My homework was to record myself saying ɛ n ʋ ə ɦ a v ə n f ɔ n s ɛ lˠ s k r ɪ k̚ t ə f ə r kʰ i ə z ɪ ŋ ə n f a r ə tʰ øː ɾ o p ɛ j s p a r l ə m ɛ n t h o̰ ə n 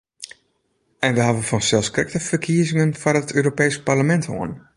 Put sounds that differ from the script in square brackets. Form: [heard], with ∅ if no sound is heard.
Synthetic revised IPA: ɛ n ʋ ə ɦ a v ə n f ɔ n s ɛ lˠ s k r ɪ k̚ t ə f ə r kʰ i ə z ɪ ŋ ə n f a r ə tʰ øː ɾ o p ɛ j s p a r l ə m ɛ n t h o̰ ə n